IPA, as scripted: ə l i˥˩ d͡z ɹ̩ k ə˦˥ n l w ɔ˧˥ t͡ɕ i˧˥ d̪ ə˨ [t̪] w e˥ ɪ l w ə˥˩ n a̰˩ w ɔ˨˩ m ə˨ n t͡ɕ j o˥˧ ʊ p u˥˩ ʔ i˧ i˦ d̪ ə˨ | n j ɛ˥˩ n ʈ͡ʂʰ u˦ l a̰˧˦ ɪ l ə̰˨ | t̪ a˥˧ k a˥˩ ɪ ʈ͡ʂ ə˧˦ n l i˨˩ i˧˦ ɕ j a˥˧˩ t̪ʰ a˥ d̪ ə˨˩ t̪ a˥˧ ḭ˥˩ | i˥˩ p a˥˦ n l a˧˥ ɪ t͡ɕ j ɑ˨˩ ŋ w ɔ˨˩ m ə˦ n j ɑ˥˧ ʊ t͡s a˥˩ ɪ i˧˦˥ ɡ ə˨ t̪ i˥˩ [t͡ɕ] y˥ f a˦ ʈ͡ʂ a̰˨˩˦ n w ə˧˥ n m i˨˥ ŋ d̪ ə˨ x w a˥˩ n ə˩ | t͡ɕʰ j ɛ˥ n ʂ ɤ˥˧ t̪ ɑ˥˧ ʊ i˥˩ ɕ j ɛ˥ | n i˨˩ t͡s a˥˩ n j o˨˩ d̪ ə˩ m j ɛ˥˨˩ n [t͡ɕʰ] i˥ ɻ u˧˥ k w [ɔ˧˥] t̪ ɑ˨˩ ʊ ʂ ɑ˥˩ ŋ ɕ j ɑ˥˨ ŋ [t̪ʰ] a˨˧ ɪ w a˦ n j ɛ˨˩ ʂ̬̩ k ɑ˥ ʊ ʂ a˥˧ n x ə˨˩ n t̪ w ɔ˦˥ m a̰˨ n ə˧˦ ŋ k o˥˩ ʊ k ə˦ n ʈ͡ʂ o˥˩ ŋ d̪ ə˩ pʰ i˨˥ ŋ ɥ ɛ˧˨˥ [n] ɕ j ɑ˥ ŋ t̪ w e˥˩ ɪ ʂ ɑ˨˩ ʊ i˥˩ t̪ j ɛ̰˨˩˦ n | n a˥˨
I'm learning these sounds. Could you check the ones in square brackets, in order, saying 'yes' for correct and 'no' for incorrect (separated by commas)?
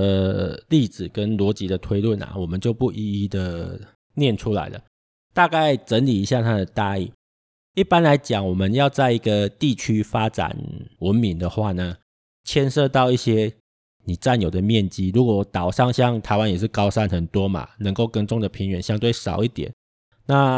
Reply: no, no, no, no, yes, yes